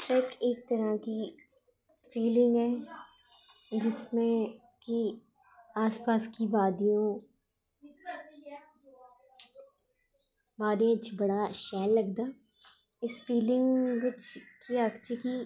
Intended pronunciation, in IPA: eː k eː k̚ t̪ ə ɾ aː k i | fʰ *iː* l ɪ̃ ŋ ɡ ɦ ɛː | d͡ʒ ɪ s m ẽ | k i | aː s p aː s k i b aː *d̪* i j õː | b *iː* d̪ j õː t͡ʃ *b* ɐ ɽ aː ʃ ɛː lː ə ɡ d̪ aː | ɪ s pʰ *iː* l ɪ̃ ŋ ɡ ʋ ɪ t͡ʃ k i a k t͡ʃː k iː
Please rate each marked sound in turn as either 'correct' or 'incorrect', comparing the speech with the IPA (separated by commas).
correct, correct, incorrect, correct, correct